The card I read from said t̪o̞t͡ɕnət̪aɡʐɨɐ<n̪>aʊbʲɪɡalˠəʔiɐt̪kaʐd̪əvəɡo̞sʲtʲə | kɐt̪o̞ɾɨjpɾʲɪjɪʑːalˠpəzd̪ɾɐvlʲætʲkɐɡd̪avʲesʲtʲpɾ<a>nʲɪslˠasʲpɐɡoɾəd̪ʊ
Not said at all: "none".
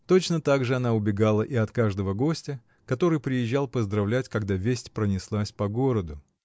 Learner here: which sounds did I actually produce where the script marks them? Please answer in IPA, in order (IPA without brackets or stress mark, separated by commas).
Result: n̪, ə